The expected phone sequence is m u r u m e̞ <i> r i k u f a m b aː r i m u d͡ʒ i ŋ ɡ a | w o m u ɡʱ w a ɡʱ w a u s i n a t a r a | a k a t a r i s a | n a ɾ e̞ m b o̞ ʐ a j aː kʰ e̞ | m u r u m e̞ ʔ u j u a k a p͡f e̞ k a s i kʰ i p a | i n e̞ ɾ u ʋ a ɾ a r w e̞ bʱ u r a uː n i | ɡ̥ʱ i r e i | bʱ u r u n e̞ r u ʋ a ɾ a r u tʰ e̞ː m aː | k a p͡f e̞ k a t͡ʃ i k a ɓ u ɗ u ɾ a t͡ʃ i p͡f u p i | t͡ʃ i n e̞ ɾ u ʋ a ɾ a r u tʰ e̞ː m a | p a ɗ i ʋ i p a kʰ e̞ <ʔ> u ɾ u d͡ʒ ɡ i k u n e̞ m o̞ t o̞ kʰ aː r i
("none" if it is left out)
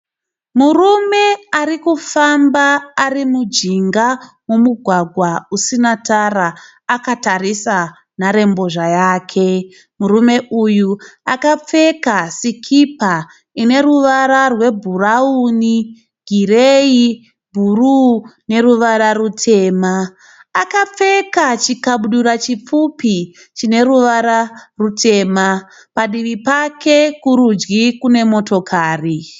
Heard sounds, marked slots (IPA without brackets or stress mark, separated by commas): a, k